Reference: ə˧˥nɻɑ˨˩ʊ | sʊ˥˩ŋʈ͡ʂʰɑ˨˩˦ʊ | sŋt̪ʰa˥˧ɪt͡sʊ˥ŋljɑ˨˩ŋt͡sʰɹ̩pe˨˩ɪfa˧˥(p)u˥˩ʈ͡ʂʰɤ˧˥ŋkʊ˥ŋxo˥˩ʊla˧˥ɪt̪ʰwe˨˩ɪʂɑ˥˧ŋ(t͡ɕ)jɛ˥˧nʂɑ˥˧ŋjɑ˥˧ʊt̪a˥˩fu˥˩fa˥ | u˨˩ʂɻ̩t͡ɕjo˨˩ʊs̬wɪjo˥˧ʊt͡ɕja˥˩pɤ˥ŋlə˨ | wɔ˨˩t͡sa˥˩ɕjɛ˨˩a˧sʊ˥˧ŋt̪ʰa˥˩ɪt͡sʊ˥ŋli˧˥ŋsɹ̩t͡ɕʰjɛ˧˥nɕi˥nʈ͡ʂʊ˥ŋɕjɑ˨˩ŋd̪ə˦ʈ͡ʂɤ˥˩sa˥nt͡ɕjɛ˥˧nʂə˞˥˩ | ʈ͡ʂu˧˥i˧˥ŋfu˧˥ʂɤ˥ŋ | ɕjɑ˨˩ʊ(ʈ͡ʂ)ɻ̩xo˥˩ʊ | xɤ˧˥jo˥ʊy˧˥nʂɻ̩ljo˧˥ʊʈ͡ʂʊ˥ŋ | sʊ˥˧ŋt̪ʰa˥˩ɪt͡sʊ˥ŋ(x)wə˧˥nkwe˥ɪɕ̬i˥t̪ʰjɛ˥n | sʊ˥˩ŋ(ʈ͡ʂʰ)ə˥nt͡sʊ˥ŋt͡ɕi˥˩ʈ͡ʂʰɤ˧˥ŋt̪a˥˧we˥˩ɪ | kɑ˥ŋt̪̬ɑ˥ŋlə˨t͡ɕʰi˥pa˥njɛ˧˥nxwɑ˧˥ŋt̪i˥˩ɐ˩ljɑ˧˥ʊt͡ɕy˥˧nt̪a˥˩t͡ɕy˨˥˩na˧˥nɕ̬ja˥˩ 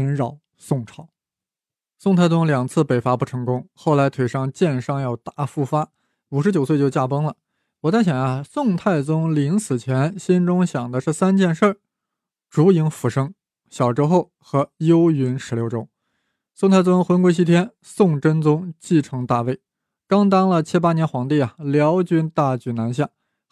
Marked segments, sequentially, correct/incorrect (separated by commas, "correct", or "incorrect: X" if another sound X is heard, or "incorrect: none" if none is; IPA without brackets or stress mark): correct, correct, correct, correct, incorrect: ʈ͡ʂ